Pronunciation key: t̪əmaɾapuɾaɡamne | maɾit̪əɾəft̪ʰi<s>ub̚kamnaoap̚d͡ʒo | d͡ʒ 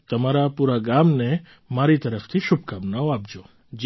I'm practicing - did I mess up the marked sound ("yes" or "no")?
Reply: yes